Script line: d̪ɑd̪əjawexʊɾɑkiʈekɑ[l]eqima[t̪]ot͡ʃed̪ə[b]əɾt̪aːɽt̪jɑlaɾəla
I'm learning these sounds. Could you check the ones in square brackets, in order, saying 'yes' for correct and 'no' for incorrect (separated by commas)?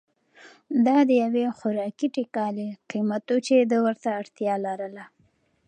yes, yes, no